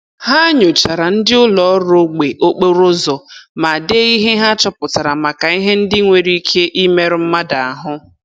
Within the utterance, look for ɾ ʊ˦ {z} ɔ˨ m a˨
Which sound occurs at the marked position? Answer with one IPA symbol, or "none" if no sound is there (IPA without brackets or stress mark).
z